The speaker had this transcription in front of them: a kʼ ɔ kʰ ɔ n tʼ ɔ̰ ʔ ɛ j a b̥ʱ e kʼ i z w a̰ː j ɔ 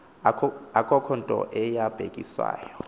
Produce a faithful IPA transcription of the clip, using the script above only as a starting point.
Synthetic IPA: a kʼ ɔ kʰ ɔ n tʼ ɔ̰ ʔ ɛ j a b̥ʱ e kʼ i s w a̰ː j ɔ